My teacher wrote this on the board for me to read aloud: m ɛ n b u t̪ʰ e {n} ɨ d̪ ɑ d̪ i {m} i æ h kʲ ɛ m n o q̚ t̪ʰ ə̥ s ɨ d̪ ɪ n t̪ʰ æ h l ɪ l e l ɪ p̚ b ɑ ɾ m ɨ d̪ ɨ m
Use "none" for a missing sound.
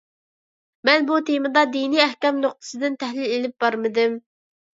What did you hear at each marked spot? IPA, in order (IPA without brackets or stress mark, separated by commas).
m, n